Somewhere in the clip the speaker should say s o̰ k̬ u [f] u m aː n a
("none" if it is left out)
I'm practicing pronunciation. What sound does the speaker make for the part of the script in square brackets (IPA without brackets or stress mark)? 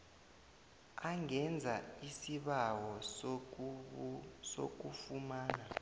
f